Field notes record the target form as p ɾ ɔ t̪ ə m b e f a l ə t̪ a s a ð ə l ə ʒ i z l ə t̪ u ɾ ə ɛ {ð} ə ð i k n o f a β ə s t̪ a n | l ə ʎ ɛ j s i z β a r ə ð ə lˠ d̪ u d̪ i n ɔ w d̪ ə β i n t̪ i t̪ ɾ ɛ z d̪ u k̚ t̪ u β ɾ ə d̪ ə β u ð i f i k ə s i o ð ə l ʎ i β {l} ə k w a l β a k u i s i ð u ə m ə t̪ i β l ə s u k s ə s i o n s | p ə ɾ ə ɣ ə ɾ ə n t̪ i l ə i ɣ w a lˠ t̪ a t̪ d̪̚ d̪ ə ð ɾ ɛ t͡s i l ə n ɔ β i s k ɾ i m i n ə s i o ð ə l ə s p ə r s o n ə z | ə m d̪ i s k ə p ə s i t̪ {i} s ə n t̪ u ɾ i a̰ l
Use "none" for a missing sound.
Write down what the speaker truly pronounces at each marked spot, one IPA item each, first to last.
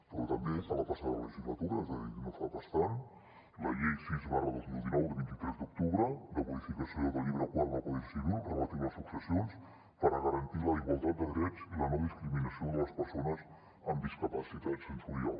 z, ɾ, a

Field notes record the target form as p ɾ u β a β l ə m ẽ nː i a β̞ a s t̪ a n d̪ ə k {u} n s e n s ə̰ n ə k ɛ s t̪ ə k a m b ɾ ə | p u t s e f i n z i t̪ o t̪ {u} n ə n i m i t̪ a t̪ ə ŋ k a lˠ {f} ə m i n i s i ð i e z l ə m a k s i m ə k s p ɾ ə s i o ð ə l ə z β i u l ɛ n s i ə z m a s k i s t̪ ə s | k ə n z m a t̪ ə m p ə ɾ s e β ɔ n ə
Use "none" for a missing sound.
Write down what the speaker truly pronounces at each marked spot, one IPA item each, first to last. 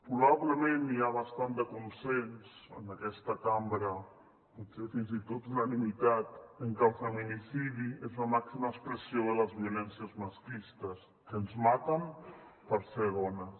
u, u, f

